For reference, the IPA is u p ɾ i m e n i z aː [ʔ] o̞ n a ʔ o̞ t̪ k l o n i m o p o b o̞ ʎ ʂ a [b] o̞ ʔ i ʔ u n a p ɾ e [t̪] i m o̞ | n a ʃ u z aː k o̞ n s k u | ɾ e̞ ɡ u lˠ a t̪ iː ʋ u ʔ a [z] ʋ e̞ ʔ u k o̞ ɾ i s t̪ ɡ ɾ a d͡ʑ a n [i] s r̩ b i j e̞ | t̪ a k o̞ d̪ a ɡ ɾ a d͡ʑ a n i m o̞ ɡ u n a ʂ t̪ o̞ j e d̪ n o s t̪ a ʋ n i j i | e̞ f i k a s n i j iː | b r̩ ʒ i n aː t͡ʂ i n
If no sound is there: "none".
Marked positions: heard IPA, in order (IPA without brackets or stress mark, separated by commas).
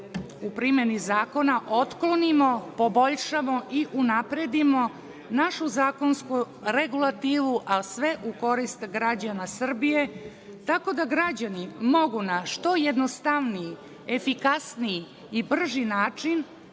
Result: k, m, d̪, s, a